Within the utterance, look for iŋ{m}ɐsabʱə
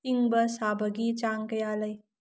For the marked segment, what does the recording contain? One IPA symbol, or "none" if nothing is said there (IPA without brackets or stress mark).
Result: b